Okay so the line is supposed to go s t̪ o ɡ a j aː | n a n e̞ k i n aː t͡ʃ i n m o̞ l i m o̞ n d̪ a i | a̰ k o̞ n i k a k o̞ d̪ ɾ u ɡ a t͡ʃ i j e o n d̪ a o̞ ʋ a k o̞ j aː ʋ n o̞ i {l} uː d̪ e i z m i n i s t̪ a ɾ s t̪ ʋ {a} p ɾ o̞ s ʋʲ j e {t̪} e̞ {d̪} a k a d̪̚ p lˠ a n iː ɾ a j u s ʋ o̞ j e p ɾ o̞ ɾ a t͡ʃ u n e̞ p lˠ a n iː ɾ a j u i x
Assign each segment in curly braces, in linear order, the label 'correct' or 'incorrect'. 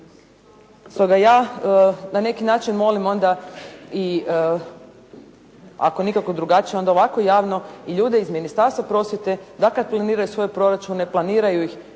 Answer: incorrect: ʎ, correct, correct, correct

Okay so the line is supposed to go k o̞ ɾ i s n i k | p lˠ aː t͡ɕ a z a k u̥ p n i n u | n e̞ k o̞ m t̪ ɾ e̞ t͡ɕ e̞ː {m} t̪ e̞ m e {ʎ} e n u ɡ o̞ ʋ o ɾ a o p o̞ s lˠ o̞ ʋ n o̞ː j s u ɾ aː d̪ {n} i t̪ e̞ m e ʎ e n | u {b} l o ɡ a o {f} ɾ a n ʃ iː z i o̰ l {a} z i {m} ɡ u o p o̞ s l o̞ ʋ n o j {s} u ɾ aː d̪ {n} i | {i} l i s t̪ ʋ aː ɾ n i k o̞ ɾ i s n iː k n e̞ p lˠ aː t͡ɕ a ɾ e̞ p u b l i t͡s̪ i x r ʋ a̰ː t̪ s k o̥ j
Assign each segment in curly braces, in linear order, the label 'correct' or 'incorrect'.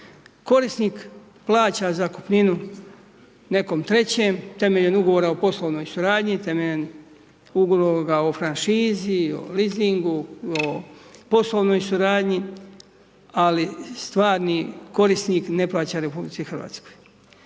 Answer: correct, correct, incorrect: ɲ, incorrect: ɡ, correct, incorrect: i, incorrect: ŋ, correct, incorrect: ɲ, incorrect: a

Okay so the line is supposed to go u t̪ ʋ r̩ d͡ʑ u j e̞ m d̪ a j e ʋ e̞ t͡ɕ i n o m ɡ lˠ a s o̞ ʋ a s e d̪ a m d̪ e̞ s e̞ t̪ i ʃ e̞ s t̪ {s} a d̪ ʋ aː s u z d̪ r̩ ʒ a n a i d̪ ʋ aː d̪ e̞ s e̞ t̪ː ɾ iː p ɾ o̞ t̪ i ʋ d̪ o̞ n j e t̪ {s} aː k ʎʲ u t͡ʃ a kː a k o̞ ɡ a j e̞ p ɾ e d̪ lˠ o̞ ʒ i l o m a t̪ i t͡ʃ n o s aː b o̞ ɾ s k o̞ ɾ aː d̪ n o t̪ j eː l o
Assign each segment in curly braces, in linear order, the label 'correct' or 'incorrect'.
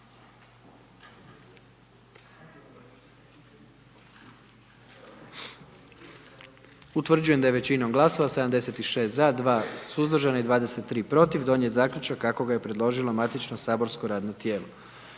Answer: incorrect: z, incorrect: z

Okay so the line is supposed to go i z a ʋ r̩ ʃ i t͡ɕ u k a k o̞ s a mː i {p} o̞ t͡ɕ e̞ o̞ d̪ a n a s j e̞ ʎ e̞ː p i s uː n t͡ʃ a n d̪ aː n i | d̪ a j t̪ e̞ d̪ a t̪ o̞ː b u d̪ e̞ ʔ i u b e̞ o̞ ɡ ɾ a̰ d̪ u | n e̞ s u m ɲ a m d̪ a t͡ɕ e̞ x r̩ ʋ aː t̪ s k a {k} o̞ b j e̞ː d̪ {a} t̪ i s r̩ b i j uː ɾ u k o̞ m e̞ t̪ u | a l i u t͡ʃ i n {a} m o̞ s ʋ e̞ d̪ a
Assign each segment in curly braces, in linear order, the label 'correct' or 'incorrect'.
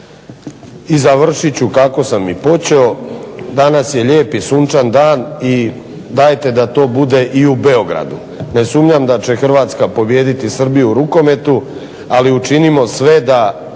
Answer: correct, incorrect: p, incorrect: i, incorrect: i

